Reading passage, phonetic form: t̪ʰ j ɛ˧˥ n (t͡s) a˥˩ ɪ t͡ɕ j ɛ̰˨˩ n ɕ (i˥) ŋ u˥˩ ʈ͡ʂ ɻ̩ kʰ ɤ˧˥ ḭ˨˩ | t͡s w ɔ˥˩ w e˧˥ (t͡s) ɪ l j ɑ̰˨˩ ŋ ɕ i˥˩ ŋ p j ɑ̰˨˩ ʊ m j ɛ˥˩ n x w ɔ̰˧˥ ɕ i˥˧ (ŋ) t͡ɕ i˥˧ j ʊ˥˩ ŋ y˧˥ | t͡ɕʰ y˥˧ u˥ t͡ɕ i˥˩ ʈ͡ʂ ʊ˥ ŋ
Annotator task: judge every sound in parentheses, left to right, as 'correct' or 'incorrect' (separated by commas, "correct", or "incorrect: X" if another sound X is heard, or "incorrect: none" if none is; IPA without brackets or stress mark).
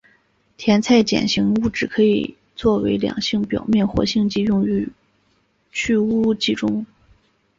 incorrect: t͡sʰ, incorrect: i˧˥, incorrect: none, correct